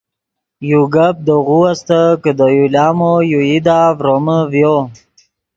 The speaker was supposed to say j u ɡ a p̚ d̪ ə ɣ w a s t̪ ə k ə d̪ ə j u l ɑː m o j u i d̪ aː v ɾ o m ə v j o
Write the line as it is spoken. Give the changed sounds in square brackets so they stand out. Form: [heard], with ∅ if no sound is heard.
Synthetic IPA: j u ɡ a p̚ d̪ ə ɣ [u] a s t̪ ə k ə d̪ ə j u l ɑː m o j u i d̪ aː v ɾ o m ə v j o